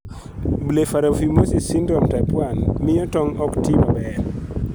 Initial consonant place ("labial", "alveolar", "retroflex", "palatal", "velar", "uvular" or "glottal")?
labial